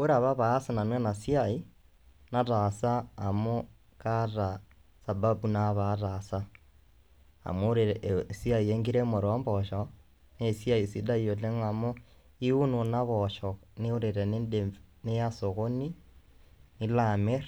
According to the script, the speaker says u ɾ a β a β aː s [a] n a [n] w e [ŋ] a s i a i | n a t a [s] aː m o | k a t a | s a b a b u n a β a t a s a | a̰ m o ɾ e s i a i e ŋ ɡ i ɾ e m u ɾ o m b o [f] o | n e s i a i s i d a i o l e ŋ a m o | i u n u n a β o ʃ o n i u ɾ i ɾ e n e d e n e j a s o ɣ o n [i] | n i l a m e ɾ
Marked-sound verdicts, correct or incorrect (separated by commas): correct, correct, incorrect, correct, incorrect, correct